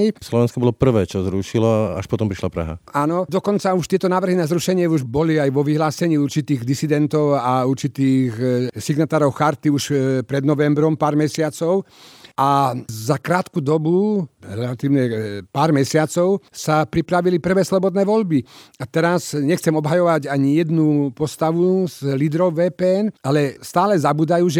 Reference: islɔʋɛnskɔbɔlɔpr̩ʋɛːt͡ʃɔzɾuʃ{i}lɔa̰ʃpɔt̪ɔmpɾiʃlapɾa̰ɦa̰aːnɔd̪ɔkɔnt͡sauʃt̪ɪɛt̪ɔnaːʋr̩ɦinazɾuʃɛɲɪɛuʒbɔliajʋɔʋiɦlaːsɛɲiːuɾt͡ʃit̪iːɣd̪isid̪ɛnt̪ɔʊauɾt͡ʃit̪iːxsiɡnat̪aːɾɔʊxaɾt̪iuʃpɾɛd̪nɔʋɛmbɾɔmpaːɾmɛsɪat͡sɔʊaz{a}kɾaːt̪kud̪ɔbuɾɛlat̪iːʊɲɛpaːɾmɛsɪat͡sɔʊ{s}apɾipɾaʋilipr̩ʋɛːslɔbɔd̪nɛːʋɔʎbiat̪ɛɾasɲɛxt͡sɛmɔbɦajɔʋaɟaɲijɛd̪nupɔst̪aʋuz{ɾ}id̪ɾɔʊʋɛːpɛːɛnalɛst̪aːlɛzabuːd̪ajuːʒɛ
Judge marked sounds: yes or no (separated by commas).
yes, yes, yes, no